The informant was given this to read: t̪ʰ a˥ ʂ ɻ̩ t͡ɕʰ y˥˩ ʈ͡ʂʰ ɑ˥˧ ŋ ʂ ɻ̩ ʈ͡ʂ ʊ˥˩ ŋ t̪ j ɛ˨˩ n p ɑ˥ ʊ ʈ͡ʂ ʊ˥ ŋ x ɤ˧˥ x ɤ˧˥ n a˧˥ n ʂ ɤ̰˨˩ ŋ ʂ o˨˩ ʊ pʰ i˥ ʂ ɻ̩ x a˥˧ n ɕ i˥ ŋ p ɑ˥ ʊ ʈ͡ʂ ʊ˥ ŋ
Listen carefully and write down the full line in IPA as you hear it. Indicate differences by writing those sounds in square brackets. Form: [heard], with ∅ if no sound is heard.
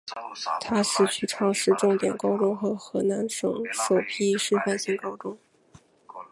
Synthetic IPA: t̪ʰ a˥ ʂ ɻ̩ t͡ɕʰ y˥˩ ʈ͡ʂʰ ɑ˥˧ ŋ ʂ ɻ̩ ʈ͡ʂ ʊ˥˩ ŋ t̪ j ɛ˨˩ n [k] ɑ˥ ʊ ʈ͡ʂ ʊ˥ ŋ x ɤ˧˥ x ɤ˧˥ n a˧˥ n ʂ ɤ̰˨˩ ŋ ʂ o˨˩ ʊ pʰ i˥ ʂ ɻ̩ [f] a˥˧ n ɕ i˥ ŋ [k] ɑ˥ ʊ ʈ͡ʂ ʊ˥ ŋ